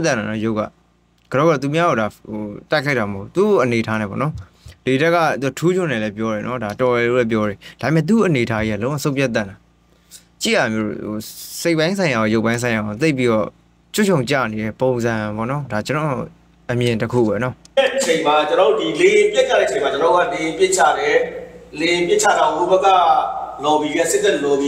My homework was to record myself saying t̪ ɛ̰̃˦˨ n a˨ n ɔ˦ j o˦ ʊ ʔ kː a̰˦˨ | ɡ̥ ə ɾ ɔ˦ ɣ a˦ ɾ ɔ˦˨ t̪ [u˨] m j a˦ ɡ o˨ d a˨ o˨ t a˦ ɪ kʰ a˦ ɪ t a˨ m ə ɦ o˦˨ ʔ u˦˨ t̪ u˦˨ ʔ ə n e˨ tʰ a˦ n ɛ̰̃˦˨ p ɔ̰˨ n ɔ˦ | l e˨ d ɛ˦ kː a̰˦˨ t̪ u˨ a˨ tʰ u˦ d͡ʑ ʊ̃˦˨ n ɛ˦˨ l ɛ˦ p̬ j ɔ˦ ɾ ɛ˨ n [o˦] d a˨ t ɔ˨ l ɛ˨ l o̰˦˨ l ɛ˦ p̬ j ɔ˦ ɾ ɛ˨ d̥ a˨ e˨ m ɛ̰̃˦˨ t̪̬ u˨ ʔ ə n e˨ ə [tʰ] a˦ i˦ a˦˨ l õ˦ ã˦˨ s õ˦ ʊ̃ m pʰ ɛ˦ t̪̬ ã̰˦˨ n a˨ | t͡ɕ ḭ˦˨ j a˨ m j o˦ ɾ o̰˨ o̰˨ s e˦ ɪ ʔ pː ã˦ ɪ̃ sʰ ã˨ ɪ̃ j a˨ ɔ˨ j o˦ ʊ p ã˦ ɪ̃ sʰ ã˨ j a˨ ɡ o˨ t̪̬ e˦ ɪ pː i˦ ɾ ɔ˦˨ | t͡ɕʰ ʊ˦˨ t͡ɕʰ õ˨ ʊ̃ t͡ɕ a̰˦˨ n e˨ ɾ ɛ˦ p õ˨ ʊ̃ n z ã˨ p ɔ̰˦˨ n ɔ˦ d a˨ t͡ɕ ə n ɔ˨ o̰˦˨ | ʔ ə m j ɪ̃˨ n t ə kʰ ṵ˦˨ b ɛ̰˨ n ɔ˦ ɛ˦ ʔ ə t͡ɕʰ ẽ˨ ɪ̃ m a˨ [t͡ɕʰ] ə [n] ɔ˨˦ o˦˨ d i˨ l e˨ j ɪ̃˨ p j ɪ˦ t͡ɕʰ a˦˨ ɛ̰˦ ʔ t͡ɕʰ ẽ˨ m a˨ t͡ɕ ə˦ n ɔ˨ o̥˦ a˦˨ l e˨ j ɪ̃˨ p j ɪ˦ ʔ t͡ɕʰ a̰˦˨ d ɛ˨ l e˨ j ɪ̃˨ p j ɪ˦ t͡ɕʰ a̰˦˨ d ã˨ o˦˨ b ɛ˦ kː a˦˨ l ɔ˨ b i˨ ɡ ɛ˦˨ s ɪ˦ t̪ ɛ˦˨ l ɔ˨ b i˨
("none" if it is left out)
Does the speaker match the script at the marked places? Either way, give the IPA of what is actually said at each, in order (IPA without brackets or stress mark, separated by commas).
u˨, ɔ˦, tʰ, t͡ɕ, n